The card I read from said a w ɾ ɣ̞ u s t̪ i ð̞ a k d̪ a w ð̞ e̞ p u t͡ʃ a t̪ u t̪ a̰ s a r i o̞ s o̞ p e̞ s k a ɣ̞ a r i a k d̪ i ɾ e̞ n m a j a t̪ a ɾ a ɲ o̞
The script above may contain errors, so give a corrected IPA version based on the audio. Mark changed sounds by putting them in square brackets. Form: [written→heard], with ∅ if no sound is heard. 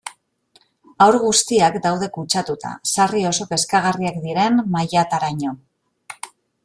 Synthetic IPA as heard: a w ɾ ɣ̞ u s t̪ i [ð̞→∅] a k d̪ a w ð̞ e̞ [p→k] u t͡ʃ a t̪ u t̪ a̰ s a r i o̞ s o̞ p e̞ s k a ɣ̞ a r i a k d̪ i ɾ e̞ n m a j a t̪ a ɾ a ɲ o̞

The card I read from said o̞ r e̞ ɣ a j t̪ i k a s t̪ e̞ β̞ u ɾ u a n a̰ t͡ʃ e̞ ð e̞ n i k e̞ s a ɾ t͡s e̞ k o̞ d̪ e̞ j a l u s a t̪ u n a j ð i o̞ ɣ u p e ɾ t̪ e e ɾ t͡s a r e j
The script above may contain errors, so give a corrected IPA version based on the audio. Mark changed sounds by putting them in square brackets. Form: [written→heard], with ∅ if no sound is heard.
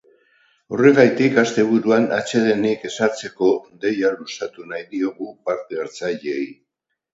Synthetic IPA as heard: o̞ r e̞ ɣ a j t̪ i k a s t̪ e̞ β̞ u ɾ u a n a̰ t͡ʃ e̞ ð e̞ n i k e̞ s a ɾ t͡s e̞ k o̞ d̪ e̞ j a l u s a t̪ u n a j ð i o̞ ɣ u p [e→a] ɾ t̪ e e ɾ t͡s a [r→ʎ] e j

